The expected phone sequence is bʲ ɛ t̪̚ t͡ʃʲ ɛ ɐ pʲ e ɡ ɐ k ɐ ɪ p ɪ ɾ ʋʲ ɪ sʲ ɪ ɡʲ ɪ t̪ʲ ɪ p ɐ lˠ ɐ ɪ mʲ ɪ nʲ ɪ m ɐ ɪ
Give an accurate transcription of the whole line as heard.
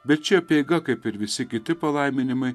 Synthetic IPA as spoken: bʲ ɛ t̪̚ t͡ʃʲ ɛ ɐ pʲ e ɡ ɐ k ɐ ɪ p ɪ ɾ ʋʲ ɪ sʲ ɪ kʲ ɪ t̪ʲ ɪ p ɐ lˠ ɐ ɪ mʲ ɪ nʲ ɪ m ɐ ɪ